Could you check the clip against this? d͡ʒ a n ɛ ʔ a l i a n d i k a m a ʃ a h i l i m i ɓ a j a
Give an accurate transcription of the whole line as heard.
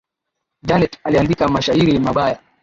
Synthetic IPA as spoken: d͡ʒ a n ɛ t a l i a n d i k a m a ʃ a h i ɾ i m a ɓ a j a

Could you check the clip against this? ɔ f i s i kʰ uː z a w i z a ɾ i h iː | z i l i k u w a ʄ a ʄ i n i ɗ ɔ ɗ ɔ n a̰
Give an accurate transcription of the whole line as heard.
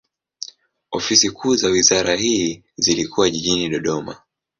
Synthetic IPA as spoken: ɔ f i s i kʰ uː z a w i z a ɾ a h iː | z i l i k u w a ʄ i ʄ i n i ɗ ɔ ɗ ɔ m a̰

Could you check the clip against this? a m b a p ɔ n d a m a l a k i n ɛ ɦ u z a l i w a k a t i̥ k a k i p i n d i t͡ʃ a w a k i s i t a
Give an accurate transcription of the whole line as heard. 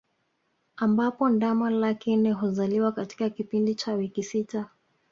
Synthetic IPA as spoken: a m b a p ɔ n d a m a l a k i n ɛ ɦ u z a l i w a k a t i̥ k a k i p i n d i t͡ʃ a w i k i s i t a

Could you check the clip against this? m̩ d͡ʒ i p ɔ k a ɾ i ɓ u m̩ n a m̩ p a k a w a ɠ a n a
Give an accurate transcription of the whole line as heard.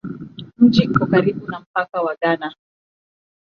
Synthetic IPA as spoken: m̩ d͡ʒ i k ɔ k a ɾ i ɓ u n a m̩ p a k a w a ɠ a n a

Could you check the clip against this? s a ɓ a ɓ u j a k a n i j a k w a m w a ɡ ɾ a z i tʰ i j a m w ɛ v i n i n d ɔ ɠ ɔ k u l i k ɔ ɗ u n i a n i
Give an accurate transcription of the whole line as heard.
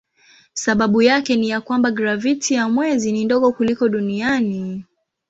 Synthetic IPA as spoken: s a ɓ a ɓ u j a k ɛ n i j a k w a m b a ɡ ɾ a v i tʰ i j a m w ɛ z i n i n d ɔ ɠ ɔ k u l i k ɔ ɗ u n i a n i

